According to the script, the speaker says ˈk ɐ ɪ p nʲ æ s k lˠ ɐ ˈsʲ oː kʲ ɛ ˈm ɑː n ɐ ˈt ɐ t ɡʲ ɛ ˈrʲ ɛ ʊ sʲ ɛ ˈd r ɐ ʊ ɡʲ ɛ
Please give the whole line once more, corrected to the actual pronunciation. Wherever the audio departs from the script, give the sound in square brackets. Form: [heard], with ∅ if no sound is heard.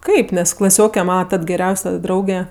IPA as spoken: ˈk ɐ ɪ p nʲ [ɛ] s k lˠ ɐ ˈsʲ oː kʲ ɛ ˈm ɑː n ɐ ˈt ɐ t ɡʲ ɛ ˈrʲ ɛ ʊ sʲ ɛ ˈd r ɐ ʊ ɡʲ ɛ